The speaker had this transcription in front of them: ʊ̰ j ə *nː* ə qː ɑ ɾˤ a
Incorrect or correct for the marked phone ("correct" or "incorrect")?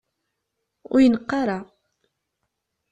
incorrect